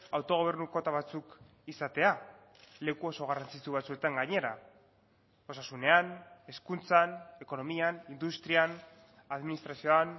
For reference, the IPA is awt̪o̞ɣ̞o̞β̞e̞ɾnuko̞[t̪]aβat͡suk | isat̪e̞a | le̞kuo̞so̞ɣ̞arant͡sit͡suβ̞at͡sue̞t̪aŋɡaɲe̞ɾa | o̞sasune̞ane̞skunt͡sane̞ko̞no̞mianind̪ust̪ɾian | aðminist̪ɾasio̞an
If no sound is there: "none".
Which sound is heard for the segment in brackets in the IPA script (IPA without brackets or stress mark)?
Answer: t̪